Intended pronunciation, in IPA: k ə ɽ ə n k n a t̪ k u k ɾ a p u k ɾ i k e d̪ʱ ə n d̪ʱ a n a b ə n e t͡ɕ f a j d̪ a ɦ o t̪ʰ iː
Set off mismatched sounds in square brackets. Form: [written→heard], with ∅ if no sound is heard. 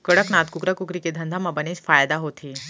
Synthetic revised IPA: k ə ɽ ə [n→∅] k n a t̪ k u k ɾ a [p→k] u k ɾ i k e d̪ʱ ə n d̪ʱ a [n→m] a b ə n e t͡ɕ f a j d̪ a ɦ o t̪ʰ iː